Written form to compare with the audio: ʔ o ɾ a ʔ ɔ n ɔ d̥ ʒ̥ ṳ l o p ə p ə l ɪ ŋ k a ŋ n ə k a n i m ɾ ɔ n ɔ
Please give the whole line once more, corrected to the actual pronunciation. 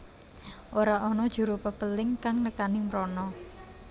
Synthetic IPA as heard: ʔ o ɾ a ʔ ɔ n ɔ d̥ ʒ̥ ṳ ɾ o p ə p ə l ɪ ŋ k a ŋ n ə k a n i m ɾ ɔ n ɔ